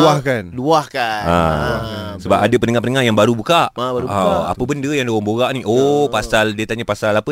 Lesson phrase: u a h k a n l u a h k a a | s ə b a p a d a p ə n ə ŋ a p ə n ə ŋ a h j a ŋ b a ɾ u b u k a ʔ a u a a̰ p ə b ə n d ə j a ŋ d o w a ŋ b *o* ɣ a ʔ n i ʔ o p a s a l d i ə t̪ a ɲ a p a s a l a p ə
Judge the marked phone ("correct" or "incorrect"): correct